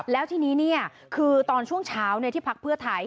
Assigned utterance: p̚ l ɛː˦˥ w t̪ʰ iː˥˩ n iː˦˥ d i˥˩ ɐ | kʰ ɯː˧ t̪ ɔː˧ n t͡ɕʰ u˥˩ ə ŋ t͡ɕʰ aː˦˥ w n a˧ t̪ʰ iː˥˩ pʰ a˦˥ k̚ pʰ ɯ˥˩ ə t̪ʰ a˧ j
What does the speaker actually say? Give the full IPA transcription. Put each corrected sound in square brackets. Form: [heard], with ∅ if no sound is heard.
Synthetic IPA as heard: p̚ l ɛː˦˥ w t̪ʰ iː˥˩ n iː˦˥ [n] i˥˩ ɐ | kʰ ɯː˧ t̪ ɔː˧ n t͡ɕʰ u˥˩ ə ŋ t͡ɕʰ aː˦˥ w n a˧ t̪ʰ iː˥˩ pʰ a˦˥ k̚ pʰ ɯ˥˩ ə t̪ʰ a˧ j